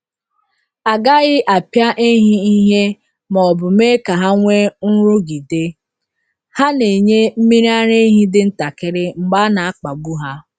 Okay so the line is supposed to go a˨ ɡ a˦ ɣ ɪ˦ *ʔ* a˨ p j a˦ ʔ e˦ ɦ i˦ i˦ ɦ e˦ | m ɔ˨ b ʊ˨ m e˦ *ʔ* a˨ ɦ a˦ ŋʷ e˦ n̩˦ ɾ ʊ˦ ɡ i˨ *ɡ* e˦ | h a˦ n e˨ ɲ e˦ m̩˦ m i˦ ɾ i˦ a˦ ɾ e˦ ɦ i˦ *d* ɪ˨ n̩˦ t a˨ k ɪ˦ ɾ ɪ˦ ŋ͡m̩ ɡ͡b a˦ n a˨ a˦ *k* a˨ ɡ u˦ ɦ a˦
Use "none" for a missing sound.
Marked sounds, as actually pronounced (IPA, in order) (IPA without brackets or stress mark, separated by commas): ʔ, k, d, d, k͡p